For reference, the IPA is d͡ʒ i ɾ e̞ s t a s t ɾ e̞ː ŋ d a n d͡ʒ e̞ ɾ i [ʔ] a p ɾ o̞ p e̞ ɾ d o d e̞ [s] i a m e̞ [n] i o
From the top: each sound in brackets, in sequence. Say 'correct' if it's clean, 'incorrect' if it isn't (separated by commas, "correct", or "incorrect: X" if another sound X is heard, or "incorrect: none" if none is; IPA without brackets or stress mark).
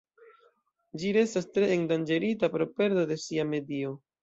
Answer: incorrect: t, correct, incorrect: d